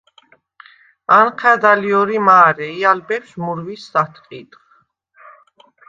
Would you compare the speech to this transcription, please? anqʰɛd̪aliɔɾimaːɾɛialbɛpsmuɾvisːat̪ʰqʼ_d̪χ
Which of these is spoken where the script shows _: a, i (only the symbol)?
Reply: i